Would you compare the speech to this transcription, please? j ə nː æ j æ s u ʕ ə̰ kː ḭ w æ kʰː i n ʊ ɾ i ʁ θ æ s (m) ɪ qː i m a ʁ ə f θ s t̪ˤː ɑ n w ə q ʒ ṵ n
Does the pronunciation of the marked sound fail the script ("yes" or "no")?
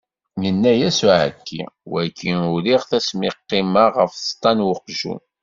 no